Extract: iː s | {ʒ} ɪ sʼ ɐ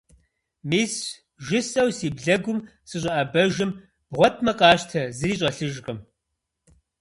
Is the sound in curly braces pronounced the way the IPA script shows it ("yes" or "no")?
yes